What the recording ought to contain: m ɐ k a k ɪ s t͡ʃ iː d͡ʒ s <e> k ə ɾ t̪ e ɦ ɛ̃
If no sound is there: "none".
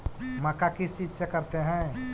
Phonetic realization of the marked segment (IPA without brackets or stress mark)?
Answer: e